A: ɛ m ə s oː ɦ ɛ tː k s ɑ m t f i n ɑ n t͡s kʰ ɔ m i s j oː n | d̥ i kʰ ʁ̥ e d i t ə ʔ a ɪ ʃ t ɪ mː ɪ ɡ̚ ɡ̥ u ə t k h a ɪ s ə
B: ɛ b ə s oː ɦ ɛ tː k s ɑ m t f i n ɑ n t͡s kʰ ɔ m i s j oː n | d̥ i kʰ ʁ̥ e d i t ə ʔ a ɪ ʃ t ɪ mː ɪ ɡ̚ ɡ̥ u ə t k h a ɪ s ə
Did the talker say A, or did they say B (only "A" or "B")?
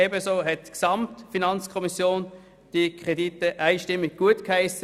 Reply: B